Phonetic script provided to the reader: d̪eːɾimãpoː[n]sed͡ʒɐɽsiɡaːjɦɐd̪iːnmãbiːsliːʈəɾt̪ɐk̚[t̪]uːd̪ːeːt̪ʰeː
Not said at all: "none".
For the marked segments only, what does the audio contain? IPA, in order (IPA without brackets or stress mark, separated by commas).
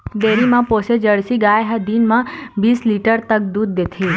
none, d̪